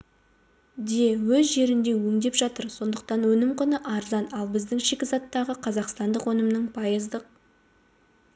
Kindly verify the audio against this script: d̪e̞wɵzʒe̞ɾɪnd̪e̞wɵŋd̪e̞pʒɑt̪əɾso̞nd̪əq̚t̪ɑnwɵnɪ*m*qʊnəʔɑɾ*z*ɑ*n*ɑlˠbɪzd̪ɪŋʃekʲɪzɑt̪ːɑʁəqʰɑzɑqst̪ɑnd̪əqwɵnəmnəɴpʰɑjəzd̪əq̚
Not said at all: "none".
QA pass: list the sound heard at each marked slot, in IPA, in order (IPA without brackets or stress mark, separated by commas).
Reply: m, z, n